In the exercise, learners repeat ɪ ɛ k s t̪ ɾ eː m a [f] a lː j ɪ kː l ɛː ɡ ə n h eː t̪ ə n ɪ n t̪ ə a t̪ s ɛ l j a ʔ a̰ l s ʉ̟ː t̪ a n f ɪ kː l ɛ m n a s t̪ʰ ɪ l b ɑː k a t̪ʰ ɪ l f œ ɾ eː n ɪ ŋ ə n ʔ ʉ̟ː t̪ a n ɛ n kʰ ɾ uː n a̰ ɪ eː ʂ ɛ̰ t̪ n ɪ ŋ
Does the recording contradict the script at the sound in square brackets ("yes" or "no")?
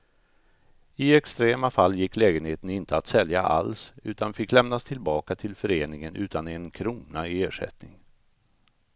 no